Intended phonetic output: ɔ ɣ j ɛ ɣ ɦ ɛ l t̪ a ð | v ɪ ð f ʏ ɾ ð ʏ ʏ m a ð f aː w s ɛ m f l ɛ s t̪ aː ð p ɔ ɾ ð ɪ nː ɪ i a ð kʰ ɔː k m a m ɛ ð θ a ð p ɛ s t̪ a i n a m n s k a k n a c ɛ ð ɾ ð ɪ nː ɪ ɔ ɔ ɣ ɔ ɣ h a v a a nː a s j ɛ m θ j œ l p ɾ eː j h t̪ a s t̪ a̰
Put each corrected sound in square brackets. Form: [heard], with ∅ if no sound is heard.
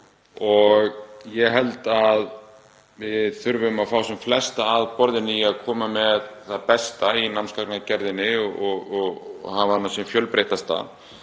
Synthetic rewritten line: ɔ ɣ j ɛ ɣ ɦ ɛ l t̪ a ð | v ɪ ð [θ] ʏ ɾ [v] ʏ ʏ m a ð f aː w s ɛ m f l ɛ s t̪ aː ð p ɔ ɾ ð ɪ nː ɪ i a ð kʰ ɔː [∅] m a m ɛ ð θ a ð p ɛ s t̪ a i n a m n s k a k n a c ɛ [∅] ɾ ð ɪ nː ɪ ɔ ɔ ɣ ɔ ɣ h a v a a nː a s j ɛ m [f] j œ l p ɾ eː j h t̪ a s t̪ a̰